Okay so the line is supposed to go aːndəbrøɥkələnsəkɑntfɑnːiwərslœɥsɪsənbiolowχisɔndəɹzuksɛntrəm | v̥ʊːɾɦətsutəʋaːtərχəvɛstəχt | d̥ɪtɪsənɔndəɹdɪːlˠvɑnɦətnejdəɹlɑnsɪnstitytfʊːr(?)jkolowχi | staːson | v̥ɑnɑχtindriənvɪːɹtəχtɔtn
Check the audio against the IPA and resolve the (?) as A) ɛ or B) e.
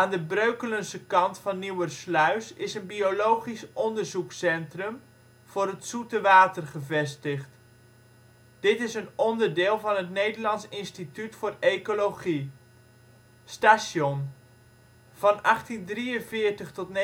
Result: B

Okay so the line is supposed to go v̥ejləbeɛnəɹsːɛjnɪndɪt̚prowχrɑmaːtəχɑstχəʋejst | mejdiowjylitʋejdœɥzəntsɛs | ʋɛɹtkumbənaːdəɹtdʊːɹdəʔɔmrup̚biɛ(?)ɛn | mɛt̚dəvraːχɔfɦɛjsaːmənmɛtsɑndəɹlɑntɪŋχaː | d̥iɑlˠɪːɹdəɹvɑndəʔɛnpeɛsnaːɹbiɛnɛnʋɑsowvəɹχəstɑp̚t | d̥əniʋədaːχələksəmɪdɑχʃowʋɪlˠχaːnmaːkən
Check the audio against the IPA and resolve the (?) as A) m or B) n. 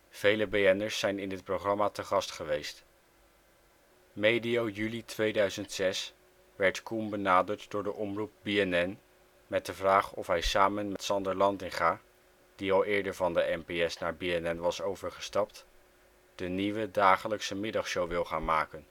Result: B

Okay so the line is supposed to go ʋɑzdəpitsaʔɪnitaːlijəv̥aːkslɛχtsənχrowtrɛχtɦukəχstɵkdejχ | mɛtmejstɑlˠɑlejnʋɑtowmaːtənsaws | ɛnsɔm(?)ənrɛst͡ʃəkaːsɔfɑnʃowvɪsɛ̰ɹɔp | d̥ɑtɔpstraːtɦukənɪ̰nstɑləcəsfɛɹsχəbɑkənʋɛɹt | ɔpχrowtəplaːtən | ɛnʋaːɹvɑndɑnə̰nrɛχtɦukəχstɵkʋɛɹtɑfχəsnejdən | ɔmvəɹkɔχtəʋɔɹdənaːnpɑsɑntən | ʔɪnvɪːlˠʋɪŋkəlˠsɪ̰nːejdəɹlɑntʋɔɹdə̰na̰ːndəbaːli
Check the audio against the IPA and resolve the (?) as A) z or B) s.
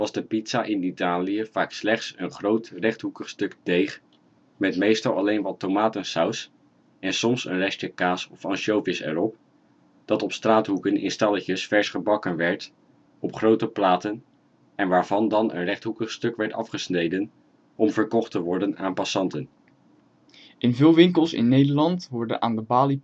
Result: B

